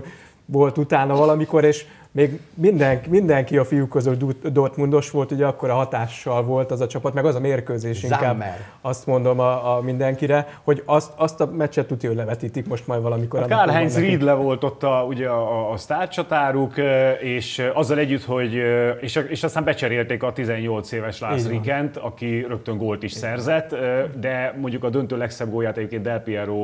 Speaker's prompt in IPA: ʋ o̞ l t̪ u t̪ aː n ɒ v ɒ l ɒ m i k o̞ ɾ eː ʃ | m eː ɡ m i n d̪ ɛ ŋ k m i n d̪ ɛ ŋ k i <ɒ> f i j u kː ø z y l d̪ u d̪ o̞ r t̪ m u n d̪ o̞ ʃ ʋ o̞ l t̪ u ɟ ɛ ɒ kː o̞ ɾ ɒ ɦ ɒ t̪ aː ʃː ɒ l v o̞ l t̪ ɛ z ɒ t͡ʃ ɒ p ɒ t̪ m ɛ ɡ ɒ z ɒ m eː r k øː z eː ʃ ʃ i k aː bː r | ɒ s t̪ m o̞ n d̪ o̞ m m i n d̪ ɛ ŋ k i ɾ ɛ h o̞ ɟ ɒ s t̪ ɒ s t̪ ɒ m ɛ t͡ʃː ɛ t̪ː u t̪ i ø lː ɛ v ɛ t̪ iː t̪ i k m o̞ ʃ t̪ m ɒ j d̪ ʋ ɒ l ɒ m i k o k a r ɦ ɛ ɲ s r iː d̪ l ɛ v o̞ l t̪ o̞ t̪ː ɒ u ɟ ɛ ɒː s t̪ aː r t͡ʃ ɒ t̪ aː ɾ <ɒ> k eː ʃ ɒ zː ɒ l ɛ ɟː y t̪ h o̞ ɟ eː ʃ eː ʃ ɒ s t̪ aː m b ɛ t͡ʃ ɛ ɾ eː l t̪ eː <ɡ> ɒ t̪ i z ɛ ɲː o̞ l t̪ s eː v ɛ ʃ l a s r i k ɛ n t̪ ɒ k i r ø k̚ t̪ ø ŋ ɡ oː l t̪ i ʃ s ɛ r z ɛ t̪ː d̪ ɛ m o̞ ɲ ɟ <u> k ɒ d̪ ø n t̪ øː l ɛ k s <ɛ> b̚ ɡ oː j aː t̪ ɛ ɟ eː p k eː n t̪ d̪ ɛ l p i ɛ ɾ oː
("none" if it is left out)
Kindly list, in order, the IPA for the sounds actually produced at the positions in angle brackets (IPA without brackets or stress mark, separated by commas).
ɒ, u, k, u, ɛ